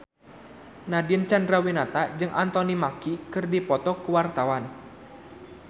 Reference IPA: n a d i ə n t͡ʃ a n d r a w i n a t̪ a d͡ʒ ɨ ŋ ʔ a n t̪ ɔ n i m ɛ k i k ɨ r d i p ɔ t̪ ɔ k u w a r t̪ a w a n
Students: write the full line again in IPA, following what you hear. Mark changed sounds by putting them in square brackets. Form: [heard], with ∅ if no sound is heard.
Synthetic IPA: n a d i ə n t͡ʃ a n d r a w i n a t̪ a d͡ʒ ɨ ŋ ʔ a n t̪ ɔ n i m [a] k i k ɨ r d i p ɔ t̪ ɔ k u w a r t̪ a w a n